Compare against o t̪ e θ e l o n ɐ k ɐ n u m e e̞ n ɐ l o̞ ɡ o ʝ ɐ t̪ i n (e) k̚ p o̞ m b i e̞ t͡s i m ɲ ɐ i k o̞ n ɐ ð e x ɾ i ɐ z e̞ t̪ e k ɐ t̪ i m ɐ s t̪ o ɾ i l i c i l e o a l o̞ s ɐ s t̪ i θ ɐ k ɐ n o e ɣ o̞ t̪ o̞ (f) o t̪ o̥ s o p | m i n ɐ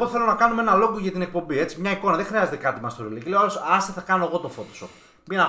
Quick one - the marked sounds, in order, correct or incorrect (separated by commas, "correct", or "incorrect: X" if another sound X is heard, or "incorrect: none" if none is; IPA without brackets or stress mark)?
correct, correct